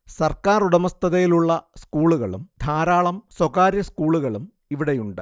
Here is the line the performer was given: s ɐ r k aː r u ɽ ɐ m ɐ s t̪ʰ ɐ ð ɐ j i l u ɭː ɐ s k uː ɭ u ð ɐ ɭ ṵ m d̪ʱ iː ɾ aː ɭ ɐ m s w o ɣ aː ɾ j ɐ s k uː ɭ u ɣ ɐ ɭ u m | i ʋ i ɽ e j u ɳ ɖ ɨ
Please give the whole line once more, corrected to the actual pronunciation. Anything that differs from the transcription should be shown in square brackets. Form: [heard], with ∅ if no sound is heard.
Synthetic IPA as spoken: s ɐ r k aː r u ɽ ɐ m ɐ s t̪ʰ ɐ ð ɐ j i l u ɭː ɐ s k uː ɭ u [ɣ] ɐ ɭ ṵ m d̪ʱ [aː] ɾ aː ɭ ɐ m s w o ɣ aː ɾ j ɐ s k uː ɭ u ɣ ɐ ɭ u m | i ʋ i ɽ e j u ɳ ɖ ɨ